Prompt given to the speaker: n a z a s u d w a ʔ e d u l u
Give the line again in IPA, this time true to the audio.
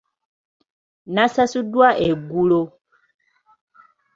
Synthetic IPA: n a s a s u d w a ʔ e ɡ u l o